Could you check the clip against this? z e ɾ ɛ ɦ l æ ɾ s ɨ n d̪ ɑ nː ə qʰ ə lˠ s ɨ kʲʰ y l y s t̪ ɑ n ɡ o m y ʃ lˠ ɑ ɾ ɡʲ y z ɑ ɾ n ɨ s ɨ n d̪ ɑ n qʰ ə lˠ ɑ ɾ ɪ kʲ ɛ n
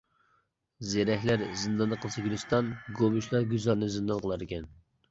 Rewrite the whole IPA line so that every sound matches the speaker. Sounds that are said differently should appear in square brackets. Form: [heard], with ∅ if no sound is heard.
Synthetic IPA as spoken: z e ɾ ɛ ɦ l æ ɾ [z] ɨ n d̪ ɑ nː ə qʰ ə lˠ s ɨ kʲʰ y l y s t̪ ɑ n ɡ o m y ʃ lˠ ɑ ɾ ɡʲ y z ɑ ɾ n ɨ [z] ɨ n d̪ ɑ n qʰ ə lˠ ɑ ɾ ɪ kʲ ɛ n